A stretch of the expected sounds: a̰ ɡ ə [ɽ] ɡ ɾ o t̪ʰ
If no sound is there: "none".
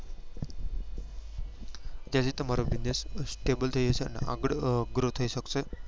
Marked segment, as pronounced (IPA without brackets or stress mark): ɽ